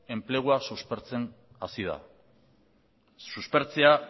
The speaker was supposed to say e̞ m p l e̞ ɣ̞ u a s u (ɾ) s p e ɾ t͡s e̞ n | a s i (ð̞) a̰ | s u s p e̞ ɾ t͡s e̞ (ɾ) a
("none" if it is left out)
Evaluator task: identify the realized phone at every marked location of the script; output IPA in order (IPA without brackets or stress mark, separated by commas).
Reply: none, ð̞, none